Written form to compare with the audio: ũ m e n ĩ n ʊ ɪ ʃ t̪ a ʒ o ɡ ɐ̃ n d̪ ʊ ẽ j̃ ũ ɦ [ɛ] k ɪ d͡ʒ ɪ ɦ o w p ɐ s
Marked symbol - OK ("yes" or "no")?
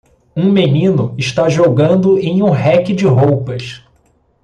yes